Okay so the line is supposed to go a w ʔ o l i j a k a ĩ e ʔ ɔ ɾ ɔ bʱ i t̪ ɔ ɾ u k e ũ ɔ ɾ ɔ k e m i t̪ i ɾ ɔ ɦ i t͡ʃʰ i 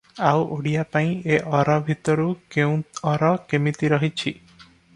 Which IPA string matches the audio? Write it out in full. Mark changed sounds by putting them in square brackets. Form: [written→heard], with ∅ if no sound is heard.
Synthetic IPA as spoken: a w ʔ o [l→ɽ] i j a [k→p] a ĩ e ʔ ɔ ɾ ɔ bʱ i t̪ ɔ ɾ u k e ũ ɔ ɾ ɔ k e m i t̪ i ɾ ɔ ɦ i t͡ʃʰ i